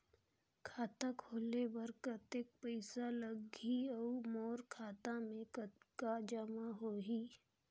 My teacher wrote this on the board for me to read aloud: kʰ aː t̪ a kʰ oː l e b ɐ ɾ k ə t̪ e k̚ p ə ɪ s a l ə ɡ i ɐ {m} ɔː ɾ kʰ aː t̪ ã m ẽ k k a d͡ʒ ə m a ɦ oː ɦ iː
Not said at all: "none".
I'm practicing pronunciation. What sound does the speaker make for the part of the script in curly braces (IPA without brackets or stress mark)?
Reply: m